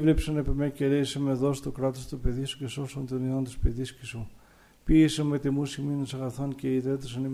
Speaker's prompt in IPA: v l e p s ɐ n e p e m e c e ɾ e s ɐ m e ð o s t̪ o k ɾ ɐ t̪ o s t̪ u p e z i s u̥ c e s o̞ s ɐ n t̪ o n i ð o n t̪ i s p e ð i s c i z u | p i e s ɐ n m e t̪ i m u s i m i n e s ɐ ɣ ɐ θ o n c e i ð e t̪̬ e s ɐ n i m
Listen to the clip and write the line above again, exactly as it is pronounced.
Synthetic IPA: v l e p s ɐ n e p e m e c e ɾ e s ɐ m e ð o s t̪ o k ɾ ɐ t̪ o s t̪ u p e ð i s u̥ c e s o̞ s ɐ n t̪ o n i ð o n t̪ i s p e ð i s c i s u | p i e s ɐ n m e t̪ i m u s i m i n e s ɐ ɣ ɐ θ o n c e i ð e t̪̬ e s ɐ n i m